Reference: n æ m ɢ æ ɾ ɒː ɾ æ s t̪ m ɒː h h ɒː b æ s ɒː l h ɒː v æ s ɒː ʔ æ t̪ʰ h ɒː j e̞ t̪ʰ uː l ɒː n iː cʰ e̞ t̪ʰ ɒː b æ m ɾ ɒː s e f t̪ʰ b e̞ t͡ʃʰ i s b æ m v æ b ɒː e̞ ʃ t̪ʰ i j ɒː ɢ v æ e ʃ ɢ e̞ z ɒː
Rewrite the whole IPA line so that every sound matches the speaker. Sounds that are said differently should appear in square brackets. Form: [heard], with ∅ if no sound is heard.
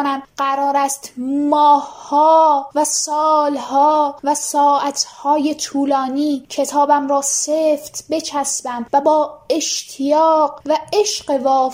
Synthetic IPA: n æ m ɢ æ ɾ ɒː ɾ æ s t̪ m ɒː h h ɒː [v] æ s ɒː l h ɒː v æ s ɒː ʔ æ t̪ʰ h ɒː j e̞ t̪ʰ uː l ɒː n iː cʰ e̞ t̪ʰ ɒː b æ m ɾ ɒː s e f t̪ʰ b e̞ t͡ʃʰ [æ] s b æ m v æ b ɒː e̞ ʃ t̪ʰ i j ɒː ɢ v æ e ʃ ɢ e̞ [v] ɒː